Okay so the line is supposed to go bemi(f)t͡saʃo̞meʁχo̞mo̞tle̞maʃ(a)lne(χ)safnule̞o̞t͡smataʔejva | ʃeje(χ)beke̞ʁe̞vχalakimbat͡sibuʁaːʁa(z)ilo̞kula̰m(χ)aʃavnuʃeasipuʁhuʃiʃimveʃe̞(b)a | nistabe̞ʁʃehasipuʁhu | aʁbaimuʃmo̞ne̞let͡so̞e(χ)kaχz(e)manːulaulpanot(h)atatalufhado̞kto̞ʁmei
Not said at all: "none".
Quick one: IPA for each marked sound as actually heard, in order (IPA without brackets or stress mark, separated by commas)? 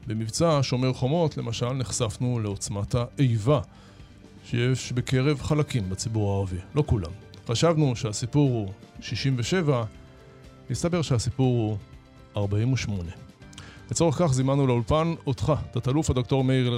v, a, χ, ʃ, v, χ, v, χ, i, χ